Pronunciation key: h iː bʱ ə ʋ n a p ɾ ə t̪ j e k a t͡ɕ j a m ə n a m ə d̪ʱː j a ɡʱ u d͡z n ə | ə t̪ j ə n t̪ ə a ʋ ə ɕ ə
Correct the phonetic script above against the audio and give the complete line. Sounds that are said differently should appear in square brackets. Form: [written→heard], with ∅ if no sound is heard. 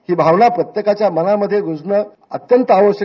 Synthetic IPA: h iː bʱ [ə→a] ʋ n a p ɾ ə t̪ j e k a t͡ɕ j a m ə n a m ə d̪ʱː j [a→e] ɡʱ u d͡z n ə | ə t̪ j ə n t̪ ə a ʋ ə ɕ ə